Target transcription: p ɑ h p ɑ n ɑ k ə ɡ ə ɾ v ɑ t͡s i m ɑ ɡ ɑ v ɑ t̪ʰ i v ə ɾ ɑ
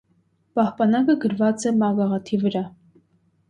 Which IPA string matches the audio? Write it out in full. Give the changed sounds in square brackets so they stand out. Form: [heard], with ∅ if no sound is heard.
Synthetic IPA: p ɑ h p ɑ n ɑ k ə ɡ ə ɾ v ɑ t͡s [ɛ] m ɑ ɡ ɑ [ʁ] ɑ t̪ʰ i v ə ɾ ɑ